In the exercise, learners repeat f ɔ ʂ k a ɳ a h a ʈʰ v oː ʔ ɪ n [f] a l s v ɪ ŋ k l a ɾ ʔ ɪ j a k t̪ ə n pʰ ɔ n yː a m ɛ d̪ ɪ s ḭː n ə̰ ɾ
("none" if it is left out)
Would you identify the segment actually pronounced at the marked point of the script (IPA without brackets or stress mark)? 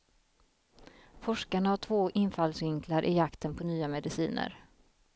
f